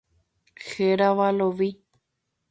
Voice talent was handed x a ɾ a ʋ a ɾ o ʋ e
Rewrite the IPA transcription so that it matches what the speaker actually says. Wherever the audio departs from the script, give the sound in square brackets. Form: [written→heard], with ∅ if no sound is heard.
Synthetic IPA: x [a→e] ɾ a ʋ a [ɾ→l] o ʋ [e→i]

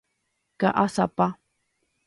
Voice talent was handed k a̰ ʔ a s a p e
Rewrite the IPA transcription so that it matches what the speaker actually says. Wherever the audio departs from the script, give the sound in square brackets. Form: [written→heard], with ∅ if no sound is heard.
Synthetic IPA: k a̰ ʔ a s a p [e→a]

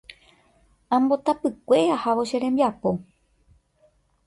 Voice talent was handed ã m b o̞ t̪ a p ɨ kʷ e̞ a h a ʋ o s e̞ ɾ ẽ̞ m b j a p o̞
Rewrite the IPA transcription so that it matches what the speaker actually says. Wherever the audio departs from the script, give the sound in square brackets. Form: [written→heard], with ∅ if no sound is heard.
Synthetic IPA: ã m b o̞ t̪ a p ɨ kʷ e̞ a h a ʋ o [s→ʃ] e̞ ɾ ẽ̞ m b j a p o̞

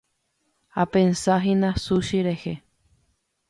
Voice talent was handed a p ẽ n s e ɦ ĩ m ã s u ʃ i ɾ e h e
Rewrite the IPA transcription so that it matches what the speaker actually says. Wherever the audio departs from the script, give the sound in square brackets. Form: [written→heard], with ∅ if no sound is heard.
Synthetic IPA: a p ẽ n s [e→a] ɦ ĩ [m→n] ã s u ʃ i ɾ e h e

